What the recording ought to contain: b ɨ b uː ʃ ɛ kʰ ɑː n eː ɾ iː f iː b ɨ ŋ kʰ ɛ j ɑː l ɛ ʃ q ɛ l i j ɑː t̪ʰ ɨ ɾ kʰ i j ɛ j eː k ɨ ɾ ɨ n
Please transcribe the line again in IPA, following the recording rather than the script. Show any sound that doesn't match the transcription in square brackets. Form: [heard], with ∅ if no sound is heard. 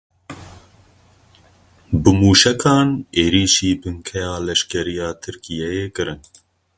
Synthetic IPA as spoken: b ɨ [m] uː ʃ ɛ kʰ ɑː n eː ɾ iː [ʃ] iː b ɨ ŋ kʰ ɛ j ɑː l ɛ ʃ [k] ɛ [ɾ] i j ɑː t̪ʰ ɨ ɾ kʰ i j ɛ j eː k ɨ ɾ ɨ n